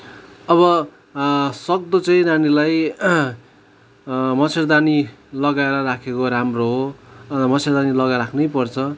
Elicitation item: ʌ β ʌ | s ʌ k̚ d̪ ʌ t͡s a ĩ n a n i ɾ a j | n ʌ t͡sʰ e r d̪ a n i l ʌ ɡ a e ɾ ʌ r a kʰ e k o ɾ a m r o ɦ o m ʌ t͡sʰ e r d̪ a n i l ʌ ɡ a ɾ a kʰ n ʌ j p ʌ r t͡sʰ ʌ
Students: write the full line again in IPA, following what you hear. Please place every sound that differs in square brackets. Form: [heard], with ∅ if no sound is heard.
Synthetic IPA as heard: ʌ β ʌ | s ʌ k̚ d̪ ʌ t͡s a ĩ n a n i [l] a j | [m] ʌ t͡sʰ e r d̪ a n i l ʌ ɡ a e ɾ ʌ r a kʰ e k o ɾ a m r o ɦ o m ʌ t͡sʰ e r d̪ a n i l ʌ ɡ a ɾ a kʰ n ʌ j p ʌ r t͡sʰ ʌ